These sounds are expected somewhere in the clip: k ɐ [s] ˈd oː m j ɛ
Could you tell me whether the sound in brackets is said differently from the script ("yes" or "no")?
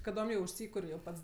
yes